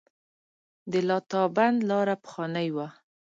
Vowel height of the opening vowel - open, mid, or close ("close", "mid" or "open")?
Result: mid